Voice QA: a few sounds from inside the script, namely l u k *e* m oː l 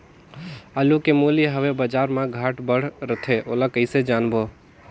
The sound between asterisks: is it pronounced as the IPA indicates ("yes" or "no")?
yes